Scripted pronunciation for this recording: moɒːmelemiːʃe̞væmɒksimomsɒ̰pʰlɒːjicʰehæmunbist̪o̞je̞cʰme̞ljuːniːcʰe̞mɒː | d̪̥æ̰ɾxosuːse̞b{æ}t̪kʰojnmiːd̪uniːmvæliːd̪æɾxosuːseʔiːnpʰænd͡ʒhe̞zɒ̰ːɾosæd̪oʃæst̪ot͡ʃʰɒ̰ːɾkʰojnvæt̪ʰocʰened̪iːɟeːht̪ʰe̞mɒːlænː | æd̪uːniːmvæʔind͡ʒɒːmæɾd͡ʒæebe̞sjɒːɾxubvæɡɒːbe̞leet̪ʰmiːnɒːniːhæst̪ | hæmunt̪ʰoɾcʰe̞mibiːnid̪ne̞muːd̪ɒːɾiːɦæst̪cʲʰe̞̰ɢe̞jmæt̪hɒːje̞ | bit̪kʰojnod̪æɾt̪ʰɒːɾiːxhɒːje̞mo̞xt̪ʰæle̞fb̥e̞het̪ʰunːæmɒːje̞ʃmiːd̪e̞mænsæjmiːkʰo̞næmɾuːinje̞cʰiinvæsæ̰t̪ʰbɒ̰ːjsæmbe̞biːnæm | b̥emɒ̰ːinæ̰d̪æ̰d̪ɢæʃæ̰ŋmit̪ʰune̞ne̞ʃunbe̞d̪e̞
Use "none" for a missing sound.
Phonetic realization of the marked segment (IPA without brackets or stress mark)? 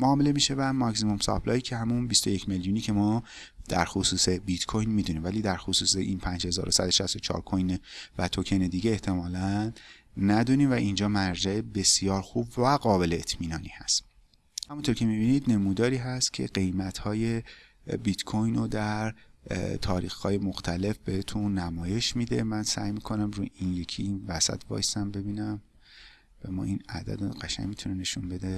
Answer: i